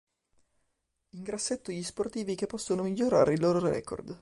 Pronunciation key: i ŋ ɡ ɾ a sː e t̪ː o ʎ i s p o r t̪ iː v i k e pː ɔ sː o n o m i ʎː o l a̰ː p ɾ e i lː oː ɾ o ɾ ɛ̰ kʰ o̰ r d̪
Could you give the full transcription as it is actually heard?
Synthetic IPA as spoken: i ŋ ɡ ɾ a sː e t̪ː o ʎ i s p o r t̪ iː v i k e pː ɔ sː o n o m i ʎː o ɾ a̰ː ɾ e i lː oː ɾ o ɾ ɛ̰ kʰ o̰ r d̪

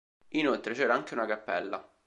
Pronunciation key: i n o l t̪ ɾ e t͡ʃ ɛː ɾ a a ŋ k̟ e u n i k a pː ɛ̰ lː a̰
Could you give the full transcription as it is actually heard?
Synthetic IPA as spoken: i n o l t̪ ɾ e t͡ʃ ɛː ɾ a a ŋ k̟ e u n a k a pː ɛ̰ lː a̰

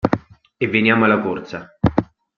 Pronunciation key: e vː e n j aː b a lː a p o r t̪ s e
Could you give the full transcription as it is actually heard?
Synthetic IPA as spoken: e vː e n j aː m a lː a k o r t̪ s a

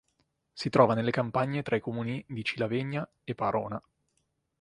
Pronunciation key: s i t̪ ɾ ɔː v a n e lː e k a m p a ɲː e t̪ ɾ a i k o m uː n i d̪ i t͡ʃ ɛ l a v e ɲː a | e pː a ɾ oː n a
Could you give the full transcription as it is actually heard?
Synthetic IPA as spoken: s i t̪ ɾ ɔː v a n e lː e k a m p a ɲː e t̪ ɾ a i k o m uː n i d̪ i t͡ʃ i l a v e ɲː a | e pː a ɾ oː n a

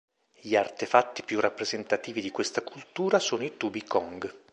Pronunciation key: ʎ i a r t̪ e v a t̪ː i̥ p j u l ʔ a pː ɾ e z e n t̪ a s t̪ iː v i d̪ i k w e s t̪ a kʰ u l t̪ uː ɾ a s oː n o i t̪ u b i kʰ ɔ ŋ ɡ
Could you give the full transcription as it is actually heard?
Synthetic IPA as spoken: ʎ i a r t̪ e f a t̪ː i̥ p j u r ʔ a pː ɾ e z e n t̪ a t̪ iː v i d̪ i k w e s t̪ a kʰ u l t̪ uː ɾ a s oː n o i t̪ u b i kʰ ɔ ŋ ɡ

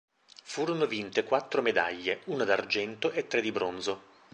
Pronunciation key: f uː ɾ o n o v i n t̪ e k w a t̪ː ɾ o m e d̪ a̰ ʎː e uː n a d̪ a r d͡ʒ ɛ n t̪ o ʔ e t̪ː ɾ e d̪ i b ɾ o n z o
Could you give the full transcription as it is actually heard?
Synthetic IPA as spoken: f uː ɾ o n o v i n t̪ e k w a t̪ː ɾ o m e d̪ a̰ ʎː e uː n a d̪ a r d͡ʒ ɛ n t̪ o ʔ e t̪ː ɾ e d̪ i b ɾ o n z o

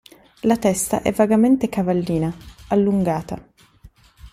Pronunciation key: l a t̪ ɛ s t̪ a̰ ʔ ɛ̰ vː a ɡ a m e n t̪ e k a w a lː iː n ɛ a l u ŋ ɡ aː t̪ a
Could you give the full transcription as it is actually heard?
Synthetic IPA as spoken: l a t̪ ɛ s t̪ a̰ ʔ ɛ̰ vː a ɡ a m e n t̪ e k a v a lː iː n a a lː u ŋ ɡ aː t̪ a

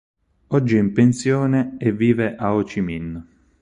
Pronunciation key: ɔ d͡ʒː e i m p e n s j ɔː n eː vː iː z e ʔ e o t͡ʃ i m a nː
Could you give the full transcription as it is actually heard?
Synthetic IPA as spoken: ɔ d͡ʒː i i m p e n s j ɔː n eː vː iː v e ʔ a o t͡ʃ i m i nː

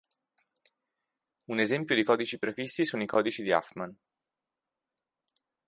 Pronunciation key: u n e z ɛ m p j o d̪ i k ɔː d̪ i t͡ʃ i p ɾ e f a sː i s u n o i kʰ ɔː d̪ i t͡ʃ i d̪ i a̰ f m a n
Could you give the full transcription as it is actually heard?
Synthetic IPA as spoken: u n e z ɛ m p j o d̪ i k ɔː d̪ i t͡ʃ i p ɾ e f i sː i s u n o i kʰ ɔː d̪ i t͡ʃ i d̪ i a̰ f m a n

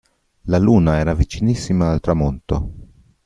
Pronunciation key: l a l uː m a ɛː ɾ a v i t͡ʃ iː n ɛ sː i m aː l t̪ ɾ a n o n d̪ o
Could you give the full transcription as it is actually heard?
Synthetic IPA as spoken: l a l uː n a ɛː ɾ a v i t͡ʃ i n i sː i m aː l t̪ ɾ a m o n t̪ o

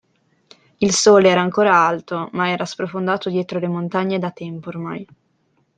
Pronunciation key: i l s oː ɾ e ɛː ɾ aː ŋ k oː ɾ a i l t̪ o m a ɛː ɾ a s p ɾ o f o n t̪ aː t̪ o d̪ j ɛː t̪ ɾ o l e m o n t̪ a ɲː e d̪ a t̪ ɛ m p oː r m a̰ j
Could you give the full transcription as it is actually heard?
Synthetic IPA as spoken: i l s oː l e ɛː ɾ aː ŋ k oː ɾ a a l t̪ o m a ɛː ɾ a s p ɾ o f o n d̪ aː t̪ o d̪ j ɛː t̪ ɾ o l e m o n t̪ a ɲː e d̪ a t̪ ɛ m p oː r m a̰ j

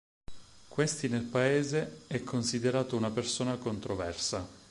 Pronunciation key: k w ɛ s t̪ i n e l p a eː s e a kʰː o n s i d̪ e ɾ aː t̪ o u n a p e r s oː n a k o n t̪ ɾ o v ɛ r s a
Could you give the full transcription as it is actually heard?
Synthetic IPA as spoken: k w e s t̪ i n e l p a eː z e ɛ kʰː o n s i d̪ e ɾ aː t̪ o u n a p e r s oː n a k o n t̪ ɾ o v ɛ r s a

